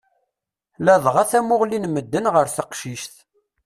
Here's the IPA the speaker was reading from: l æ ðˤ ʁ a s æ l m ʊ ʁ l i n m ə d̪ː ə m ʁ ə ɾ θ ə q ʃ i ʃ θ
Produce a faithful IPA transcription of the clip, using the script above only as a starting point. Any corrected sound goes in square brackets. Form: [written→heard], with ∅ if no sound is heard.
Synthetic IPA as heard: l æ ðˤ ʁ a [s→θ] æ [l→∅] m ʊ ʁ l i n m ə d̪ː ə [m→n] ʁ ə ɾ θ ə q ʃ i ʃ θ